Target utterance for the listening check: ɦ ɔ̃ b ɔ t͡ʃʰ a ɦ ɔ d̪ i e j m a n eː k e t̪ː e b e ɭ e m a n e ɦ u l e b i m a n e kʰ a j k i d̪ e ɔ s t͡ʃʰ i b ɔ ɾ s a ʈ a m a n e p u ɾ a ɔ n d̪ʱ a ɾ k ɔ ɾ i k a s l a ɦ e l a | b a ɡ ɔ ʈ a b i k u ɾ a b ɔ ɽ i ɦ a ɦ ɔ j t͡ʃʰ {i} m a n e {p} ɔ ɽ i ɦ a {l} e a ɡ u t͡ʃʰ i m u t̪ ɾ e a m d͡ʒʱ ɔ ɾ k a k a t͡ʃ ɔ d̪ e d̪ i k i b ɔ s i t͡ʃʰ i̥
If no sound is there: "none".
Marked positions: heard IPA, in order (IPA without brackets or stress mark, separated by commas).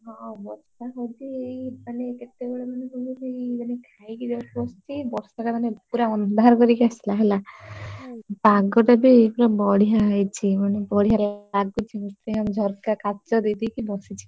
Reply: i, b, ɾ